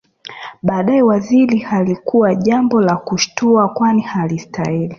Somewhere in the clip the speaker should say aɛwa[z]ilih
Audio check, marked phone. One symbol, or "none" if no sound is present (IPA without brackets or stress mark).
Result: z